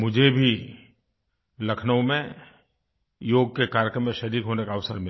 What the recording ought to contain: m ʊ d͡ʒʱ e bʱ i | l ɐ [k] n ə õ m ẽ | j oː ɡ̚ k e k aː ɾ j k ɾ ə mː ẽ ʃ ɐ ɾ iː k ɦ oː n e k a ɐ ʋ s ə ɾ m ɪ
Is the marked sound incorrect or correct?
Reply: incorrect